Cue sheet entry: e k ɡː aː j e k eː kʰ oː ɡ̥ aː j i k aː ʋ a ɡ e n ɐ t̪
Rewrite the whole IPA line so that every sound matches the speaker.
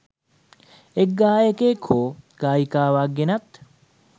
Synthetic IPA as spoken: e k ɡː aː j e k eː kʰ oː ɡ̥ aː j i k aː ʋ a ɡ e n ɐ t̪